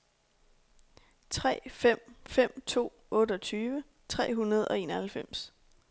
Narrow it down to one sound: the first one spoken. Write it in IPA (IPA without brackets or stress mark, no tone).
t͡sʰ